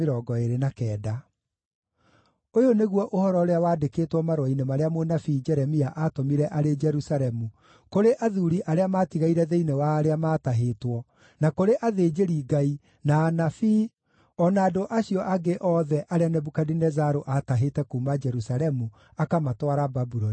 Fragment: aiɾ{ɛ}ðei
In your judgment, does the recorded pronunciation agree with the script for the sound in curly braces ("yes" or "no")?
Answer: yes